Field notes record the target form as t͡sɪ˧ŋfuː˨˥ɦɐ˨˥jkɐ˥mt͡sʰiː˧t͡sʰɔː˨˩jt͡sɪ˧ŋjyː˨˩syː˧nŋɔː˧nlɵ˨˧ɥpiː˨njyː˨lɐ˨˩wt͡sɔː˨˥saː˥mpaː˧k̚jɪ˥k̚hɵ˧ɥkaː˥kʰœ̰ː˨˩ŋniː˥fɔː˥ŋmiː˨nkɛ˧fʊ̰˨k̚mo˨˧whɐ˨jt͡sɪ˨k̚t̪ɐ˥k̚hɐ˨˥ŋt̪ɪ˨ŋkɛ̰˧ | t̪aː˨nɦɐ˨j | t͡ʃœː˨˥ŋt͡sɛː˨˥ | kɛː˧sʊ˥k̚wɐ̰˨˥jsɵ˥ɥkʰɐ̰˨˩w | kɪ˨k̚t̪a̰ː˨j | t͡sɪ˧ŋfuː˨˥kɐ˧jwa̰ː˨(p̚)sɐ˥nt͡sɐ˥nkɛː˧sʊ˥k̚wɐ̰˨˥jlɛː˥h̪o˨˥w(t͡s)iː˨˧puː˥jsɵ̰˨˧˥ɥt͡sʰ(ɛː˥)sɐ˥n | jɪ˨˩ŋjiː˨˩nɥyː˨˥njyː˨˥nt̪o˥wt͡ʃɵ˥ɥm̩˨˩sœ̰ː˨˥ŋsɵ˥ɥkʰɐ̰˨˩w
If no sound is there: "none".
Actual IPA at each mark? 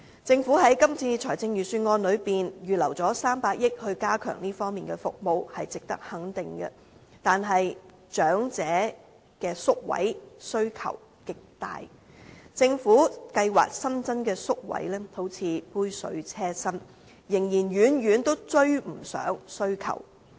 k̚, t͡sʰ, ɛː˥

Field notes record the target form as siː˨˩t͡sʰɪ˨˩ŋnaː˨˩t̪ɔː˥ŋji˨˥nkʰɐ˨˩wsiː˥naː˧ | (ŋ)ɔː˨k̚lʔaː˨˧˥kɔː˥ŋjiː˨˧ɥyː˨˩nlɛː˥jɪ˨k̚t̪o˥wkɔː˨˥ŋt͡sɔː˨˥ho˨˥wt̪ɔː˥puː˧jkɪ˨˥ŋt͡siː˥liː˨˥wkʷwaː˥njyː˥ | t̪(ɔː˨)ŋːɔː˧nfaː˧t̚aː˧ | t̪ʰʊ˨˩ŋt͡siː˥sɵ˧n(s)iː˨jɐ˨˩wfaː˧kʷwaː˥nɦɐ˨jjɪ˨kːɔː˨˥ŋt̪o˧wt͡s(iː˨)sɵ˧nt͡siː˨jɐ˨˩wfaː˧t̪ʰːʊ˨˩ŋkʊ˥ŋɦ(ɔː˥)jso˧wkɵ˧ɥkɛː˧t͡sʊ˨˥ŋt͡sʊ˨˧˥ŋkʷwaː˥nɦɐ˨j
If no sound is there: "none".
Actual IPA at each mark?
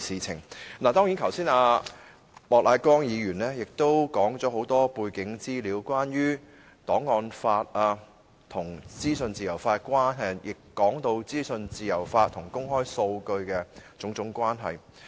m, ɔː˨˥, t͡s, iː˥, ɔː˥

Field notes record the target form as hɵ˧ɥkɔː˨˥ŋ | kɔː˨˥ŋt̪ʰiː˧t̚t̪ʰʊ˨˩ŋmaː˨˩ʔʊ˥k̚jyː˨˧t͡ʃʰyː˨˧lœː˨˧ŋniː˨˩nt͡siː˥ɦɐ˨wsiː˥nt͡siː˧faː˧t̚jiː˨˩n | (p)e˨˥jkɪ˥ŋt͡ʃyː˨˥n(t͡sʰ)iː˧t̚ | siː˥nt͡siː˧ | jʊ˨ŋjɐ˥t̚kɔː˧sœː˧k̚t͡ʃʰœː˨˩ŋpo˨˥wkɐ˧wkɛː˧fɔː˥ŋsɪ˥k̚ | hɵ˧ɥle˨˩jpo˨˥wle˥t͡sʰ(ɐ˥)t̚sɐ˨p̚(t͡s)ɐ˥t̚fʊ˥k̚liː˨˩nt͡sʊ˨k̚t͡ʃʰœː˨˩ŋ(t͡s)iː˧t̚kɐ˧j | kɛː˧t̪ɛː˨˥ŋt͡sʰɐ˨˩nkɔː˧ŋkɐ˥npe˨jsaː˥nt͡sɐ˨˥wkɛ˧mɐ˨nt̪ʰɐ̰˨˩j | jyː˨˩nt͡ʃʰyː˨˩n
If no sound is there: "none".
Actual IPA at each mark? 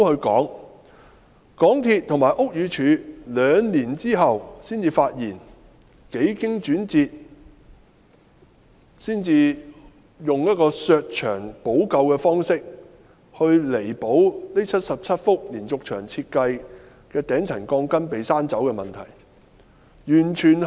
k, t͡s, ɐ˥, t͡sʰ, t͡sʰ

